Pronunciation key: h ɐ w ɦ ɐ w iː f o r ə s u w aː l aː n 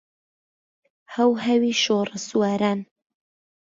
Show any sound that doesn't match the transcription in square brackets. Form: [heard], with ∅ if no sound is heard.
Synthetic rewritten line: h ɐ w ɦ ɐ w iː [ʃ] o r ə s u w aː [ɾ] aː n